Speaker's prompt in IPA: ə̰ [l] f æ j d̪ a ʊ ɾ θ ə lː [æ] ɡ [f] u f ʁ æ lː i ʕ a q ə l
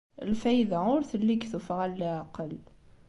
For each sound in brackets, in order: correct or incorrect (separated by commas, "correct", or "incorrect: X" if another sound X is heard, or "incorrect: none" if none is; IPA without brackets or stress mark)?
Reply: correct, incorrect: i, incorrect: θ